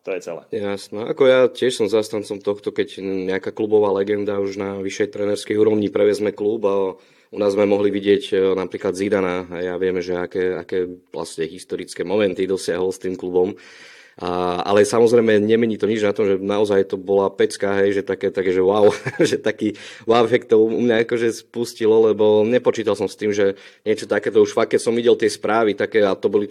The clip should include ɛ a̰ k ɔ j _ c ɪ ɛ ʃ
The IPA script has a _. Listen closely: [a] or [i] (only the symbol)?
a